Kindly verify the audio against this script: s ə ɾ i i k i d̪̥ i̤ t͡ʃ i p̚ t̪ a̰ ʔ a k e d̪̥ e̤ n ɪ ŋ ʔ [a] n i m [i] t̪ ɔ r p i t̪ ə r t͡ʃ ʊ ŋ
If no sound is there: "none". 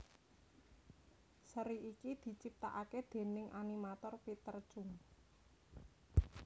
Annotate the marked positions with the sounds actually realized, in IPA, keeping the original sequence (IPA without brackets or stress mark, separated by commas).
a, a